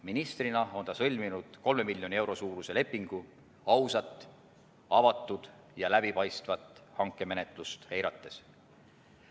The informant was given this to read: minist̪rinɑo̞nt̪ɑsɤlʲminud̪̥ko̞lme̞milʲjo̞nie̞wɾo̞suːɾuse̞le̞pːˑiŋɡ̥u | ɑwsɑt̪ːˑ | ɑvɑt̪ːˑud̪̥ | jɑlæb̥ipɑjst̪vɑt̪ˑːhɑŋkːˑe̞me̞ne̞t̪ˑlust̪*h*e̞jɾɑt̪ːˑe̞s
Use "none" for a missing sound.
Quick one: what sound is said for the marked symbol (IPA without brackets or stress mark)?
h